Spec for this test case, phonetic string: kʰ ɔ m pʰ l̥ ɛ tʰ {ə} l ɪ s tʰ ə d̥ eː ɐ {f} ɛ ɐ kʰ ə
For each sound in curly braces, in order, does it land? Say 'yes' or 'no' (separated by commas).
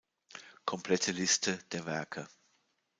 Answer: yes, no